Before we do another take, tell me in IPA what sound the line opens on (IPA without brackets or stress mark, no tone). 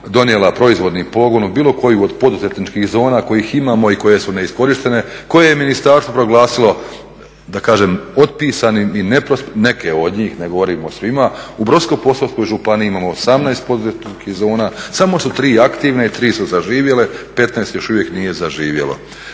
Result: d̪